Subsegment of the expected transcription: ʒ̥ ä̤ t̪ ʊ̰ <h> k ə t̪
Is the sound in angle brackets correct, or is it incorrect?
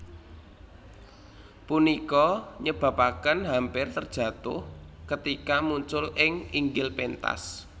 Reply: correct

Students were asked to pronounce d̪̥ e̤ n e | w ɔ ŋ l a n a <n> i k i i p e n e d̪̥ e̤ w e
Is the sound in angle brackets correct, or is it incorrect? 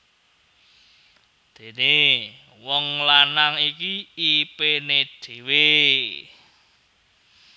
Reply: incorrect: ŋ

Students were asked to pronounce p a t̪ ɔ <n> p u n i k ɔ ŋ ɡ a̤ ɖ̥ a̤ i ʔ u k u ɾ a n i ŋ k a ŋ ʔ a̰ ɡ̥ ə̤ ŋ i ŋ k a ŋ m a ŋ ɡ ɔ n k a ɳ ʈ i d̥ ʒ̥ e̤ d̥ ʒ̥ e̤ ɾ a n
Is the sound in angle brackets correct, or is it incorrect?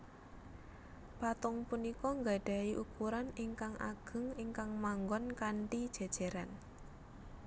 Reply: incorrect: ŋ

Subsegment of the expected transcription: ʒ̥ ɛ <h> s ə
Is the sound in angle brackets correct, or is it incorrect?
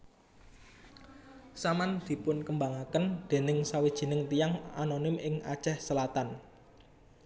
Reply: correct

